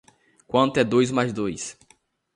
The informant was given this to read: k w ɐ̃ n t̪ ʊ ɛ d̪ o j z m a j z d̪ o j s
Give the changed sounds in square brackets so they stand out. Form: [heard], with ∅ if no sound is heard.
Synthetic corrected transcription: k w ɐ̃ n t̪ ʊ ɛ d̪ o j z m a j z d̪ o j s